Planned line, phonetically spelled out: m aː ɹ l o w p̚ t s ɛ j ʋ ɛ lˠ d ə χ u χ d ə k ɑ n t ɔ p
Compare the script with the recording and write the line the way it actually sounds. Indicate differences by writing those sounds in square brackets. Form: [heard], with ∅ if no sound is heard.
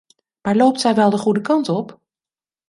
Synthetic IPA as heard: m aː ɹ l o w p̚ t s ɛ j ʋ ɛ lˠ d ə χ u [∅] d ə k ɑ n t ɔ p